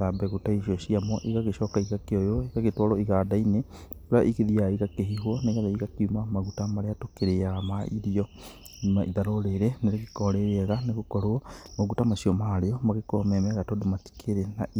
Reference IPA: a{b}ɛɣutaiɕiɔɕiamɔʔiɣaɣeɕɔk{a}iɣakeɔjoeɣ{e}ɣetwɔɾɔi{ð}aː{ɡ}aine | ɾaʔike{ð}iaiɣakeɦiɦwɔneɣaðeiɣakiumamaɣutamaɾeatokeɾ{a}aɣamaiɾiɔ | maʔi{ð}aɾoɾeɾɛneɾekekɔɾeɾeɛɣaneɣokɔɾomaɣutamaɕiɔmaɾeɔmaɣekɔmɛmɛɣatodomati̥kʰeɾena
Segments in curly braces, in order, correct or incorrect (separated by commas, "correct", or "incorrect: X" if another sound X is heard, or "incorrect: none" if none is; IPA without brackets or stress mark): correct, correct, incorrect: a, incorrect: ɣ, incorrect: d, correct, incorrect: e, correct